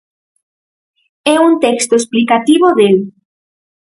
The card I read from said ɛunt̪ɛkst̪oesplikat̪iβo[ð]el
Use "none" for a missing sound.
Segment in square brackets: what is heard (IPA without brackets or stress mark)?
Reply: ð